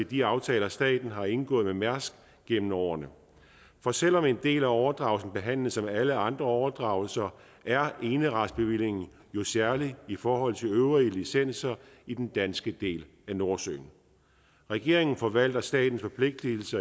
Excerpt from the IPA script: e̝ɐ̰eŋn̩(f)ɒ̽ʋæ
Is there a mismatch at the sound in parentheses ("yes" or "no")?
no